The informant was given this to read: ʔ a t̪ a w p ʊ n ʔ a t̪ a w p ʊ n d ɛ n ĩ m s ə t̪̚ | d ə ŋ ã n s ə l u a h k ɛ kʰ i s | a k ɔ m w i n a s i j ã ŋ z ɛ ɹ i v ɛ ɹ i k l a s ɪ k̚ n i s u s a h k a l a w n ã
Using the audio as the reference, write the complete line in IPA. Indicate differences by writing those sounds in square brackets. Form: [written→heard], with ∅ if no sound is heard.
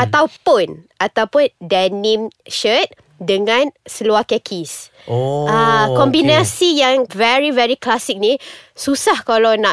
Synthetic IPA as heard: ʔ a t̪ a w p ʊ n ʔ a t̪ a w p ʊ n d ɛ n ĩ m [s→ʃ] ə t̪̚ | d ə ŋ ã n s ə l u a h k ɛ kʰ i s | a k ɔ m [w→b] i n a s i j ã ŋ [z→v] ɛ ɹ i v ɛ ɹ i k l a s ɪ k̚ n i s u s a h k a l a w n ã